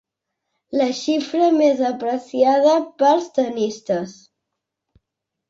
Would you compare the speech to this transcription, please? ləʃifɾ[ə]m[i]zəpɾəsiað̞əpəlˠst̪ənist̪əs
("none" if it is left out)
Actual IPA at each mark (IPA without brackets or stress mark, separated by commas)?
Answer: ə, e